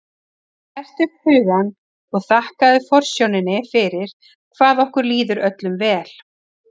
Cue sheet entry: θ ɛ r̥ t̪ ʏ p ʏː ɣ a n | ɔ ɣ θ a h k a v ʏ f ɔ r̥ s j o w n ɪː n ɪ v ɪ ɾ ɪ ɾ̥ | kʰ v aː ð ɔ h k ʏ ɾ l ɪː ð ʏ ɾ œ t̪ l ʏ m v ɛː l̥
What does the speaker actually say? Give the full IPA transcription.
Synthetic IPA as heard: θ ɛ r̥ t̪ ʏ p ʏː ɣ a n | ɔ ɣ θ a h k a ð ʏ f ɔ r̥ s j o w n ɪ n ɪ f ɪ ɾ ɪ ɾ̥ | kʰ v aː ð ɔ h k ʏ ɾ l iː ð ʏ ɾ œ t̪ l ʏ m v ɛː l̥